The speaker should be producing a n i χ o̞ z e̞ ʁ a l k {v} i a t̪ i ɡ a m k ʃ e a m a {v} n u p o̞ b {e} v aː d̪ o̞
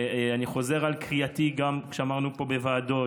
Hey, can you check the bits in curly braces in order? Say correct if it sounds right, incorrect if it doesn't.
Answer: incorrect: ʁ, incorrect: ʁ, correct

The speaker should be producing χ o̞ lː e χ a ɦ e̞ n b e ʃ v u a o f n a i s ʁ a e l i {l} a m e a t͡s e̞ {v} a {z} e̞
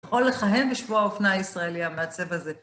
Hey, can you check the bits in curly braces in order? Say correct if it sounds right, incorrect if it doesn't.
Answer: incorrect: none, correct, correct

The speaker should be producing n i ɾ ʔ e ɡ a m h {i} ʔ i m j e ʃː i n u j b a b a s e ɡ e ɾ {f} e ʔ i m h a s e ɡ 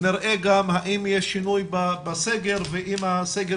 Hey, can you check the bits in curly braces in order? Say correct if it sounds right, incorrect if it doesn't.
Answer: incorrect: a, incorrect: v

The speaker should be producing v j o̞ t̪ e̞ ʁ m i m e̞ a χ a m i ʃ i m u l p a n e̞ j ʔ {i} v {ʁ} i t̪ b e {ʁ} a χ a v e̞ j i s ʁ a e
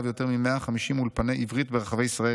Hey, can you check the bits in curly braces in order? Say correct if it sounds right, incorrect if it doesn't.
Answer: correct, correct, correct

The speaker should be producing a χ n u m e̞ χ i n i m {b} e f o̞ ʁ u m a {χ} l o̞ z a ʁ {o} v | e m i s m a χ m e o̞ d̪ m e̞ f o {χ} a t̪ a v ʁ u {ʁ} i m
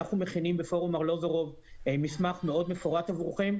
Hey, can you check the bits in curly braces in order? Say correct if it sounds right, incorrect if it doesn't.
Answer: correct, incorrect: ʁ, correct, incorrect: ʁ, incorrect: χ

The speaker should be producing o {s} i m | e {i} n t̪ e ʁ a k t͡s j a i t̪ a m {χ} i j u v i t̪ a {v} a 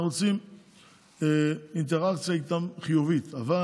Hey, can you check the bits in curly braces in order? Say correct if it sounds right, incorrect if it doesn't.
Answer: incorrect: t͡s, correct, correct, correct

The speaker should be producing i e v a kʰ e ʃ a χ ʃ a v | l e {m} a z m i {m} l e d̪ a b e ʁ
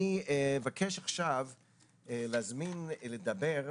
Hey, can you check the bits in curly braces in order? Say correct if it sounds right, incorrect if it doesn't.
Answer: incorrect: none, incorrect: n

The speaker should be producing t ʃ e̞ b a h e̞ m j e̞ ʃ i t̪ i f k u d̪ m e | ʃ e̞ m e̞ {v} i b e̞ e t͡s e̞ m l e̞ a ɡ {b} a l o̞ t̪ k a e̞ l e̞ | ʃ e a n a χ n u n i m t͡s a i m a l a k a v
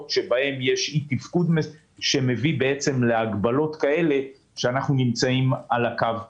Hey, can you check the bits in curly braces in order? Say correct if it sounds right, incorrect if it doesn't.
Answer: correct, correct

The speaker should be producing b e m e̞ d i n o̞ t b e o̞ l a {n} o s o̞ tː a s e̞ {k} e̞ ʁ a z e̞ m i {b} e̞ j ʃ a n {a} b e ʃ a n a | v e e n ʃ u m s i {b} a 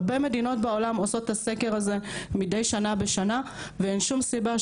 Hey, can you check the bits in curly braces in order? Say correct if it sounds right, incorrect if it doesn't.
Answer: incorrect: m, correct, incorrect: d, correct, correct

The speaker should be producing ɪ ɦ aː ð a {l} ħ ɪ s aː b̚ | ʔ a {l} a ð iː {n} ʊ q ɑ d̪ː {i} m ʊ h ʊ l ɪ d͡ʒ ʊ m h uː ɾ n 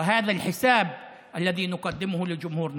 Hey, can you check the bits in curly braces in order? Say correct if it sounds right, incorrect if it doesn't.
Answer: correct, incorrect: lː, correct, incorrect: ɪ

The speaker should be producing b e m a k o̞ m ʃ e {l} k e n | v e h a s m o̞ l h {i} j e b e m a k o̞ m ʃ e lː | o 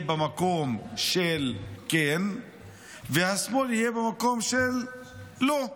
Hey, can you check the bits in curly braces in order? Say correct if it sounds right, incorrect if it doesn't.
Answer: correct, correct

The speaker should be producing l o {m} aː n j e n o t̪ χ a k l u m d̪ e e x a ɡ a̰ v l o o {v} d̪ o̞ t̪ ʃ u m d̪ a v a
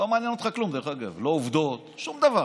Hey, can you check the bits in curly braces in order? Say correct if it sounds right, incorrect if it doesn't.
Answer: correct, correct

